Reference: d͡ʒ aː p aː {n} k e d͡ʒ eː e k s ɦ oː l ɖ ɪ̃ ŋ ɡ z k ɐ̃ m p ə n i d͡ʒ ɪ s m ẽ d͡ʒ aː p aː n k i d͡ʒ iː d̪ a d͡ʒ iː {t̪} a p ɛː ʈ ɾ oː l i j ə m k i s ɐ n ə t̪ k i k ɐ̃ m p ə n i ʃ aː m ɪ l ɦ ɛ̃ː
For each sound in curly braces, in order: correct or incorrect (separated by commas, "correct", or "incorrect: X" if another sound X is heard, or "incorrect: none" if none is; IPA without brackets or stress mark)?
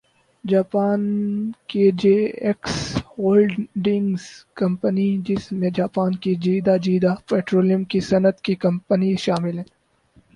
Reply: correct, incorrect: d̪